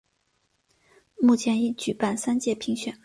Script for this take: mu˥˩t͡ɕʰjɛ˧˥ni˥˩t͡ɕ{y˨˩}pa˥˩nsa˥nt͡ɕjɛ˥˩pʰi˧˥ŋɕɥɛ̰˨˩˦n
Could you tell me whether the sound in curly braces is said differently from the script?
no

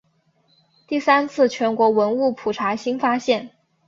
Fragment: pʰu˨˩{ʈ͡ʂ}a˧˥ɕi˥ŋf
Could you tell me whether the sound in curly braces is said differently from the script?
yes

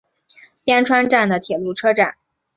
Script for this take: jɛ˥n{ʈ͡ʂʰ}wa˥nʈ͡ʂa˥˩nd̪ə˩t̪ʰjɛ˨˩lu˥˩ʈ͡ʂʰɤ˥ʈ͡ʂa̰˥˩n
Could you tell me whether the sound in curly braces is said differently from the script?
no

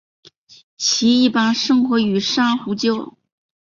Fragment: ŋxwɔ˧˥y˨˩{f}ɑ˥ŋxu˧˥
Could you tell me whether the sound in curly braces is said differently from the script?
yes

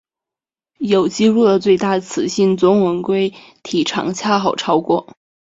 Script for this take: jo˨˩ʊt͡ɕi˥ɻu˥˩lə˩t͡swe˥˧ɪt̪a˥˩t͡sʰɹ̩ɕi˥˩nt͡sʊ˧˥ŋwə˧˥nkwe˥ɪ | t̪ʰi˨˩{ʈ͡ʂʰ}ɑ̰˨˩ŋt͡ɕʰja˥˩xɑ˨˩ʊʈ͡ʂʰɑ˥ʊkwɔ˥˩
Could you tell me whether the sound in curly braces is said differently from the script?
no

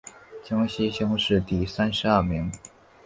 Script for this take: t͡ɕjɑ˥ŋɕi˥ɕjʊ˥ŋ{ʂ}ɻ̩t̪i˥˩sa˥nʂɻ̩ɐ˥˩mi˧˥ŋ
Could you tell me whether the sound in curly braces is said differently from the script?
no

